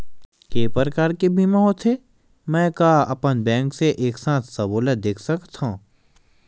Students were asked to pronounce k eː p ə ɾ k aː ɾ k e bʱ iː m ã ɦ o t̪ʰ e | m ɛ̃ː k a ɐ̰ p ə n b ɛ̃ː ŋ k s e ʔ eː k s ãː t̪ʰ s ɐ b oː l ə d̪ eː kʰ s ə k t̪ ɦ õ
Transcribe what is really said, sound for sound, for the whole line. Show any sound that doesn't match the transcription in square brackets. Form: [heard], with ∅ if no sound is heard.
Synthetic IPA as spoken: k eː p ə ɾ k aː ɾ k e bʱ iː m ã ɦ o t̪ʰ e | m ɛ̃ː k a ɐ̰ p ə n b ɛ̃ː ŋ k s e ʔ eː k s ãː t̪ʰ s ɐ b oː l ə d̪ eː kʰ s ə k t̪ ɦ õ